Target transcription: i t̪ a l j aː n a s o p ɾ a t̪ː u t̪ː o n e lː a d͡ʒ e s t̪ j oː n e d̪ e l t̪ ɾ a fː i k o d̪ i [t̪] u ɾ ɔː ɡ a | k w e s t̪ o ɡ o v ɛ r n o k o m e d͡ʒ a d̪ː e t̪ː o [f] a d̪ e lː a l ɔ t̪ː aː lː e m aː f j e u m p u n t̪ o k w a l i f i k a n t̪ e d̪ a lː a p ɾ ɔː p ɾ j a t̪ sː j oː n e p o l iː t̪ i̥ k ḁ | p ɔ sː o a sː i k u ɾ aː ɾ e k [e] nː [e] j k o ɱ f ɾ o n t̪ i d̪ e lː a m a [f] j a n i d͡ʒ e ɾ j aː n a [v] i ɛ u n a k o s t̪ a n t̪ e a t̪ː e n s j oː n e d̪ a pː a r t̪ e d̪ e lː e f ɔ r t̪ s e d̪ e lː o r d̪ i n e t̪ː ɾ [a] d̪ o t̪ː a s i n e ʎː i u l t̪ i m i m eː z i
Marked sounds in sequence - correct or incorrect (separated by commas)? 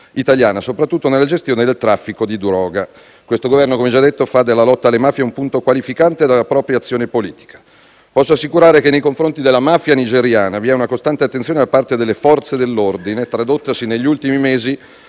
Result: incorrect, correct, correct, correct, correct, correct, correct